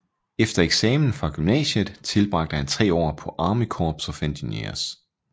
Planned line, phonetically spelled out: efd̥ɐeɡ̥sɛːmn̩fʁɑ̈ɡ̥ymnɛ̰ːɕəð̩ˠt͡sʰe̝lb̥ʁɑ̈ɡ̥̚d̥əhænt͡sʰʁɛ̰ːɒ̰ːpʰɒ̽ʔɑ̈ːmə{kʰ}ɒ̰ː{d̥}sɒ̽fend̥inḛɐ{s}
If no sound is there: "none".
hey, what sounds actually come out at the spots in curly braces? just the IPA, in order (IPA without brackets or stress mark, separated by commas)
kʰ, b̥, s